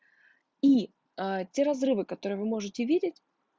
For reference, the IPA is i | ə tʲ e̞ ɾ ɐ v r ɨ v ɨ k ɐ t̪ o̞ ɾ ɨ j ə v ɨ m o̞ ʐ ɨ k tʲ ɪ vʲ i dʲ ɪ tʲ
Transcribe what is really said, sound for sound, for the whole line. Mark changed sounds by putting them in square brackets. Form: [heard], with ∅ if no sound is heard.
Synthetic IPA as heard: i | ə tʲ e̞ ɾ ɐ [z] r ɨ v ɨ k ɐ t̪ o̞ ɾ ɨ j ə v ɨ m o̞ ʐ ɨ [∅] tʲ ɪ vʲ i dʲ ɪ tʲ